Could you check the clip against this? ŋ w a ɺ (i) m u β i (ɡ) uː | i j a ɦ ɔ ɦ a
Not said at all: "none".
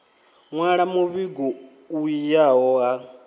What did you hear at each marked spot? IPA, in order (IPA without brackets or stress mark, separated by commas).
a, ɡ